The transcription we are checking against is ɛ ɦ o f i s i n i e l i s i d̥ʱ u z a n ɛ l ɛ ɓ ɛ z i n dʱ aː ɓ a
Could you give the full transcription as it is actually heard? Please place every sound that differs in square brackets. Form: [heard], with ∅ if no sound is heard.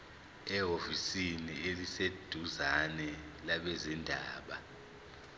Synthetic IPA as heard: ɛ ɦ o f i s i n i e l i s [e] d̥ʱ u z a n ɛ l [a] ɓ ɛ z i n dʱ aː ɓ a